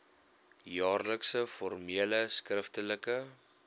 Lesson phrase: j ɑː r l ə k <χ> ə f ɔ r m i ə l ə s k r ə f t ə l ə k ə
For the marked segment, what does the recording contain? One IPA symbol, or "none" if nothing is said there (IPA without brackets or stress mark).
s